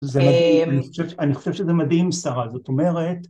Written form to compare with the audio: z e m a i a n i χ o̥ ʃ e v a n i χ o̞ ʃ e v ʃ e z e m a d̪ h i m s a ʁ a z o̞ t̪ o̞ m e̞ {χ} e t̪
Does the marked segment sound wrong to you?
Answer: yes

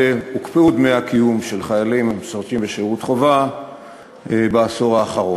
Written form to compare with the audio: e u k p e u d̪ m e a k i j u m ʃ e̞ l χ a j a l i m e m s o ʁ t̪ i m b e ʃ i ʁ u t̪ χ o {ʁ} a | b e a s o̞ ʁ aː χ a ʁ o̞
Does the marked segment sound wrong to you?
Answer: yes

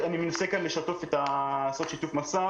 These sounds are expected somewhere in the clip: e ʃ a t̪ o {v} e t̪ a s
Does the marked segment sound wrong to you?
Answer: yes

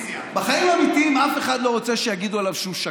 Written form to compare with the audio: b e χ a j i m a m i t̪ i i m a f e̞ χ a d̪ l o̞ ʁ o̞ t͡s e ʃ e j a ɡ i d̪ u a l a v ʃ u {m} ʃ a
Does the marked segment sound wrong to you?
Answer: no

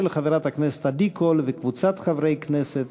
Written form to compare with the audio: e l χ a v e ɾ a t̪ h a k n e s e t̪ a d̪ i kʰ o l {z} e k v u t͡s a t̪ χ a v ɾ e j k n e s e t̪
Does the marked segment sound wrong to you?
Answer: yes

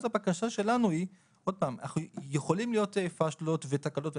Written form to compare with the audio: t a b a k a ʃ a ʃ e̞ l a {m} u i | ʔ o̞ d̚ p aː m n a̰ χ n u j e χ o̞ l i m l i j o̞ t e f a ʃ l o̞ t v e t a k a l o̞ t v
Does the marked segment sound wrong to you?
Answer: yes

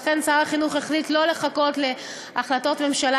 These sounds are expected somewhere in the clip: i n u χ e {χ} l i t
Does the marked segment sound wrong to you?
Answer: no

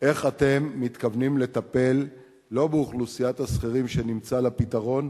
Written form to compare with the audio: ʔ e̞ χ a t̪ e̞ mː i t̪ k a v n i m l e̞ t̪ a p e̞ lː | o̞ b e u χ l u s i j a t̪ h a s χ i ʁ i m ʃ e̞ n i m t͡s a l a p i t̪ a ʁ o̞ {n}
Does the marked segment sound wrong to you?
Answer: no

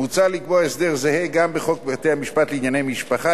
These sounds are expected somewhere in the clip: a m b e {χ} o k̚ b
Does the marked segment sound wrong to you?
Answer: no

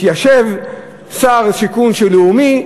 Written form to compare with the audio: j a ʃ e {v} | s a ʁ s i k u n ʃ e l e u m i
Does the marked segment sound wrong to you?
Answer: no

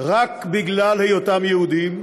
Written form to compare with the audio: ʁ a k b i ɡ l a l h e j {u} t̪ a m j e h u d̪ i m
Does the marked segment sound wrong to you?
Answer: yes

